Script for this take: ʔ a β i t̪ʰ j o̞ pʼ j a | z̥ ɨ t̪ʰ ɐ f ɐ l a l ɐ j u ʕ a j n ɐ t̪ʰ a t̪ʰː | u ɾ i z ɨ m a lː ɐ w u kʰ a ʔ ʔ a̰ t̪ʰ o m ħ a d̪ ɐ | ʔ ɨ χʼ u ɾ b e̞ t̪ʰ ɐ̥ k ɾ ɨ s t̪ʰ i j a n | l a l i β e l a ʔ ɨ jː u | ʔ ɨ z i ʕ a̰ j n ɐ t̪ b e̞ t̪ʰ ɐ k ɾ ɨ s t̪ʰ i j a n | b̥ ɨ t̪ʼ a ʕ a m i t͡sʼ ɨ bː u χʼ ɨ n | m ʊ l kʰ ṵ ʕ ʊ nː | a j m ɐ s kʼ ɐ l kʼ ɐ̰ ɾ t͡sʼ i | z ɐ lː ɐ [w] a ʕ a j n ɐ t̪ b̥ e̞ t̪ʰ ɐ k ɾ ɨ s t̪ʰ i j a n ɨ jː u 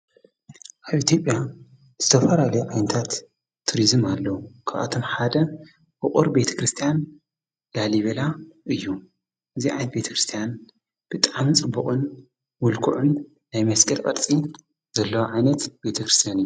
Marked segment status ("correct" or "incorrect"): correct